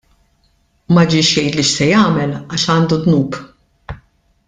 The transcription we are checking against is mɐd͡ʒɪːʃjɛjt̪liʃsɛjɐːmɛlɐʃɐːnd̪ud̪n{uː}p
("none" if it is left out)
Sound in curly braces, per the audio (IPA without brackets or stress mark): uː